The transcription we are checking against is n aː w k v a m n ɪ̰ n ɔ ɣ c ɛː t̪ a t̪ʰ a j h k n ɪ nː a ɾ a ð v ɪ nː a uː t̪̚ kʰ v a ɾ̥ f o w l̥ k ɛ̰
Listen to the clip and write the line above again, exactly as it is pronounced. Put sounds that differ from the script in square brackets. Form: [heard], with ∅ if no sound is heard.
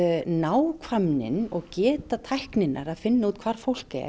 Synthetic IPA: n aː w [kʰ] v a m n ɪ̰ n ɔ ɣ c ɛː t̪ a t̪ʰ a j h k n ɪ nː a ɾ a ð [f] ɪ nː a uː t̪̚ kʰ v a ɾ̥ f o w l̥ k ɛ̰

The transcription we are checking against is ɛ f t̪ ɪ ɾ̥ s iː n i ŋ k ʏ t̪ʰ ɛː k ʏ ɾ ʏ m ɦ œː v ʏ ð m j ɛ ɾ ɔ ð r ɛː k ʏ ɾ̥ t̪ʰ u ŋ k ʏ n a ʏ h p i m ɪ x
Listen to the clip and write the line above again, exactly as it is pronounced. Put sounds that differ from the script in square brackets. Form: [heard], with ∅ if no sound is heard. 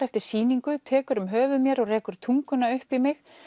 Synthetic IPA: ɛ f t̪ ɪ ɾ̥ s iː n i ŋ k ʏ t̪ʰ ɛː k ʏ ɾ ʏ m ɦ œː v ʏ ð m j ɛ ɾ ɔ [ɣ] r ɛː k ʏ ɾ̥ t̪ʰ u ŋ k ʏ n a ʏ h p i m ɪ x

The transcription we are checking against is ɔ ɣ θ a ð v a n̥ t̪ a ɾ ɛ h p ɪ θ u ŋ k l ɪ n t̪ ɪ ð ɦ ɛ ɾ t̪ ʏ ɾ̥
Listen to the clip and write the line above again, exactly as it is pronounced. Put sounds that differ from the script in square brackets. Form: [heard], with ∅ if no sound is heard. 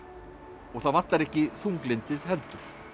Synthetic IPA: ɔ ɣ θ a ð v a n̥ t̪ a ɾ ɛ h [c] ɪ θ u ŋ k l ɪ n t̪ ɪ ð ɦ ɛ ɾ t̪ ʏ ɾ̥

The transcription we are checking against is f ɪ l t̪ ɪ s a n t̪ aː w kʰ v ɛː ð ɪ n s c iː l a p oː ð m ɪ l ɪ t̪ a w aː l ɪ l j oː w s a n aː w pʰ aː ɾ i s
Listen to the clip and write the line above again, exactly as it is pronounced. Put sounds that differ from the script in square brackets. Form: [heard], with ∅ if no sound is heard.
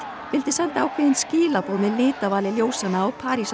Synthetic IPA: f ɪ l t̪ ɪ s [ɛ] n t̪ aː w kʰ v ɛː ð ɪ n s c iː l a p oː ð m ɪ l [ɪː] t̪ a [v] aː l ɪ l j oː w s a n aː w pʰ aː ɾ i s

